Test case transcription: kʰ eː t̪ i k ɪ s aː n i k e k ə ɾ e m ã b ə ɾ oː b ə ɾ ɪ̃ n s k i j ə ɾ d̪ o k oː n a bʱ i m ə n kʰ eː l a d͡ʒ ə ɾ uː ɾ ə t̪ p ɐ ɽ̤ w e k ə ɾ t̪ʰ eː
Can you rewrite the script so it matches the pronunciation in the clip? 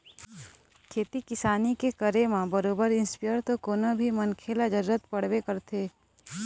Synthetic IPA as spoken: kʰ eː t̪ i k ɪ s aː n i k e k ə ɾ e m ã b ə ɾ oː b ə ɾ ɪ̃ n s p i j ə ɾ t̪ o k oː n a bʱ i m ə n kʰ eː l a d͡ʒ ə ɾ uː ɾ ə t̪ p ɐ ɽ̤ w e k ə ɾ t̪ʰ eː